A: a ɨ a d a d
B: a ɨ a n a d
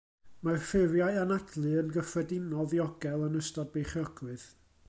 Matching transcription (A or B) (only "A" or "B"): B